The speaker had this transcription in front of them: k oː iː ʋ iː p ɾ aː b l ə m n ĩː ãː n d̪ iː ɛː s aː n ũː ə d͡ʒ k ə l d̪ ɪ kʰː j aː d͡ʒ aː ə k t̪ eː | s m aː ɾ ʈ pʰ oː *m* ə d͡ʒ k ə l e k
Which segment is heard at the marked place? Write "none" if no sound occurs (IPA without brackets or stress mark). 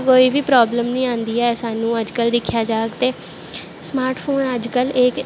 n